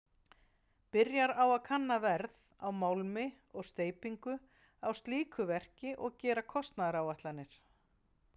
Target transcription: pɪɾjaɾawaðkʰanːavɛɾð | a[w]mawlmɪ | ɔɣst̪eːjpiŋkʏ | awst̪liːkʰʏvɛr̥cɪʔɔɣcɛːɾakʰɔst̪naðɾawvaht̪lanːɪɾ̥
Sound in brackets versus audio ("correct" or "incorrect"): correct